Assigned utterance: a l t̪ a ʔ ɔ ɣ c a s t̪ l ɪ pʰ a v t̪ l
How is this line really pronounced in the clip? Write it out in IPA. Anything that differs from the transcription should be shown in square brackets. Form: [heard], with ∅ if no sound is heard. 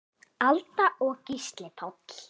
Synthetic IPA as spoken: a l t̪ a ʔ ɔ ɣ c [i] s t̪ l ɪ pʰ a [w] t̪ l